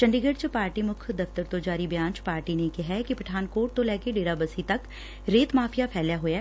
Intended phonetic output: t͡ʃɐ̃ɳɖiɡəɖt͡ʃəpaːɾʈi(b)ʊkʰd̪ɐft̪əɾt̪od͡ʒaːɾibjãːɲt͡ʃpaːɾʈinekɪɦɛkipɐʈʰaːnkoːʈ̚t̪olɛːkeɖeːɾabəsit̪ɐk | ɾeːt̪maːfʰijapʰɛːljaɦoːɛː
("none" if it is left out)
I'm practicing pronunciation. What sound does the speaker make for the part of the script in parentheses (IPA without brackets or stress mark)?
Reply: m